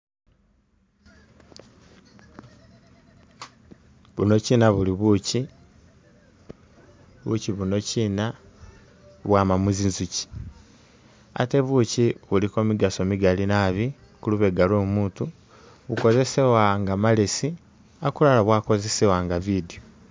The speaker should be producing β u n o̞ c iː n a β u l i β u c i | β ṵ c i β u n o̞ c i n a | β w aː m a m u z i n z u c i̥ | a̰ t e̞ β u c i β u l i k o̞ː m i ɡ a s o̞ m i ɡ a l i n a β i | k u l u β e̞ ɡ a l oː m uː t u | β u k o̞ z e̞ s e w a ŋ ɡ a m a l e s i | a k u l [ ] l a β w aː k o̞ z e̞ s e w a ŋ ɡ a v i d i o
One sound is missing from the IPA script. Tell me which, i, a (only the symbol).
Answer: a